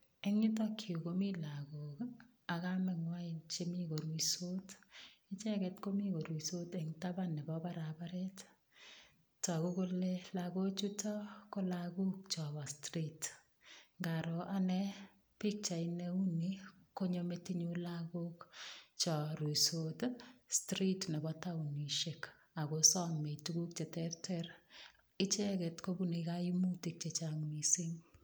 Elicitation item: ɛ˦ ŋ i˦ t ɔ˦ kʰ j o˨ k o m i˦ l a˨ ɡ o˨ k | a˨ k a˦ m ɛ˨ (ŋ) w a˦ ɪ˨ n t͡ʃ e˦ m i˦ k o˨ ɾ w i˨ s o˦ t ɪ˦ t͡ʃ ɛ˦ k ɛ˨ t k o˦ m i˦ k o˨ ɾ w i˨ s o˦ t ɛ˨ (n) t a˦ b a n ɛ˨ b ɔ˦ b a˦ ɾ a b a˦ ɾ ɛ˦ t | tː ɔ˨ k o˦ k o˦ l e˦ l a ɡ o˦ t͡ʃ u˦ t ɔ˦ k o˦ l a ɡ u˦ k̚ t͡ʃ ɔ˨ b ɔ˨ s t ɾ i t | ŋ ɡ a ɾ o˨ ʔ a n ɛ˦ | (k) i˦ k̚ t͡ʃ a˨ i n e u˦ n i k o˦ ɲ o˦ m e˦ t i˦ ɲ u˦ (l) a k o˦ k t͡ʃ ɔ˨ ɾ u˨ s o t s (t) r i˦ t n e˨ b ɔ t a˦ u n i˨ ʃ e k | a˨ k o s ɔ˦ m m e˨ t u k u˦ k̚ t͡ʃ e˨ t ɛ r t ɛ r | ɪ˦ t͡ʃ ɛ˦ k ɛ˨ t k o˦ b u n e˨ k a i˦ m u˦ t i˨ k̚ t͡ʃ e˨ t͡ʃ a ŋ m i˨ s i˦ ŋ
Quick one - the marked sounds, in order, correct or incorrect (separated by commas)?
correct, incorrect, incorrect, correct, correct